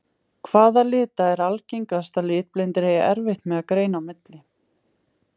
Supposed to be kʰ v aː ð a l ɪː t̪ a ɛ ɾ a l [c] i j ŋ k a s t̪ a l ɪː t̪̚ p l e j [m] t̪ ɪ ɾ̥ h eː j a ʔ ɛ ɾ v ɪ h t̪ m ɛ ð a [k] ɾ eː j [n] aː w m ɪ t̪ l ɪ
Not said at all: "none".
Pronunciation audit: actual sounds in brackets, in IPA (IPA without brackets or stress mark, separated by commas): c, n, k, n